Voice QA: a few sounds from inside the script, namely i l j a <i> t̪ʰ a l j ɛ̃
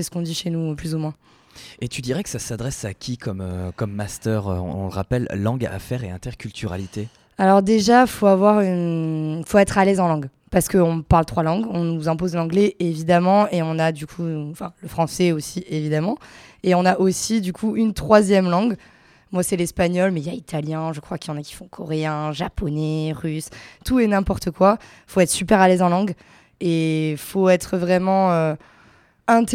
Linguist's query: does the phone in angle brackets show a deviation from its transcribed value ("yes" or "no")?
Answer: no